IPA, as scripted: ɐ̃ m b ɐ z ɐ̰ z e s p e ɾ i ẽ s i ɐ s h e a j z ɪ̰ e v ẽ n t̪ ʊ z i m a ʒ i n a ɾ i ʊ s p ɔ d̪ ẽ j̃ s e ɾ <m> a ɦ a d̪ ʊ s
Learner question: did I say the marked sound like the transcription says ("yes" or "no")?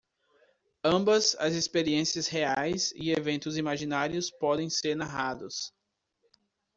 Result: no